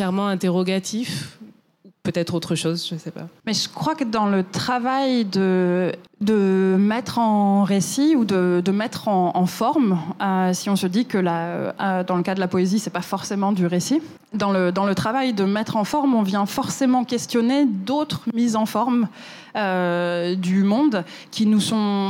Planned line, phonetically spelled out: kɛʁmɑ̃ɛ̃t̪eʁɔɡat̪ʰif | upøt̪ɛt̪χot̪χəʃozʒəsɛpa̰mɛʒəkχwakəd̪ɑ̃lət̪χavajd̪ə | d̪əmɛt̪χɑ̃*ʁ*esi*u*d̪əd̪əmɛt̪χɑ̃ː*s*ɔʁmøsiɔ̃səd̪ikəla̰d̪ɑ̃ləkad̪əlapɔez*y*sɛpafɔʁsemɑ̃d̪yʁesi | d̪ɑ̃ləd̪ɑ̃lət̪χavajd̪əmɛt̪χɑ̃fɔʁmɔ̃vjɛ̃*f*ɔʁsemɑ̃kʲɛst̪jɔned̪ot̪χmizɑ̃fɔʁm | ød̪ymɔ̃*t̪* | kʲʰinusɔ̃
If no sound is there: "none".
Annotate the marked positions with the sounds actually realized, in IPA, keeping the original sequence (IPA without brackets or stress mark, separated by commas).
ʁ, u, f, i, f, d̪